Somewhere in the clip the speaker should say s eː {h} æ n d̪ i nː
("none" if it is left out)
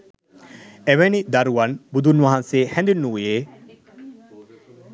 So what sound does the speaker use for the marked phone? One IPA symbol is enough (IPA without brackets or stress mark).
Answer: h